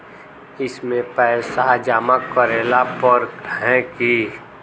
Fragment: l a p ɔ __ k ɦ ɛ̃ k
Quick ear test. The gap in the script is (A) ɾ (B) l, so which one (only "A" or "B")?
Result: A